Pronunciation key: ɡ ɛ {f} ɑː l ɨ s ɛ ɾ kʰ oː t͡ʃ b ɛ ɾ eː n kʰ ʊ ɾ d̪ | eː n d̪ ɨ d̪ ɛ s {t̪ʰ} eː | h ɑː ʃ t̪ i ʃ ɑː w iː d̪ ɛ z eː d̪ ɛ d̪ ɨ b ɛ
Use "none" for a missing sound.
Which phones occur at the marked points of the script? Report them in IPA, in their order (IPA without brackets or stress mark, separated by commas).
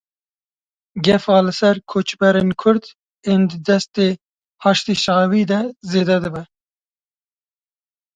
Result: f, t̪